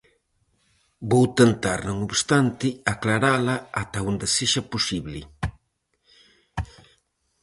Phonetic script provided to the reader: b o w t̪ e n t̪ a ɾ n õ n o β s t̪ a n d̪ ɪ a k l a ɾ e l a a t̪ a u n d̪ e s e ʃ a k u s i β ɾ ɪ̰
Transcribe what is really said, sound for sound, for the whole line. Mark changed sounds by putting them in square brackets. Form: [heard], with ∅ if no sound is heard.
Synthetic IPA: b o w t̪ e n t̪ a ɾ n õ [ŋ] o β s t̪ a n [t̪] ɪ a k l a ɾ [a] l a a t̪ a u n d̪ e s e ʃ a [p] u s i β [l] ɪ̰